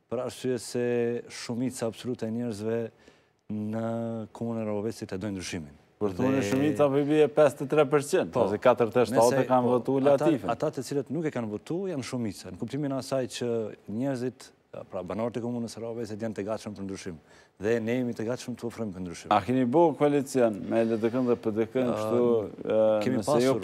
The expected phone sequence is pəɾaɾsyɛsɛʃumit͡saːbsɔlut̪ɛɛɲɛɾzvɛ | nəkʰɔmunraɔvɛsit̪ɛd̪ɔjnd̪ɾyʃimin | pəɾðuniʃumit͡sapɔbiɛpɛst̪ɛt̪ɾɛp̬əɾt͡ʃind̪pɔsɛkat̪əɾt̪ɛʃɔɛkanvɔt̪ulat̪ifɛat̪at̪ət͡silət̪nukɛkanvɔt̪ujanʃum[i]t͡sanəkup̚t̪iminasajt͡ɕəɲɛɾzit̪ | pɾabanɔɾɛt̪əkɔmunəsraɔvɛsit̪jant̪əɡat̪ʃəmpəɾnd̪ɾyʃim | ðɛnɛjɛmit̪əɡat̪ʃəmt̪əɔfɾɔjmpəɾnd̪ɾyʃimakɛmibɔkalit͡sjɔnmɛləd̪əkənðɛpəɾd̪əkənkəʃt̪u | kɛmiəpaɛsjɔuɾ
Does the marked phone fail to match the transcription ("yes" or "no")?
no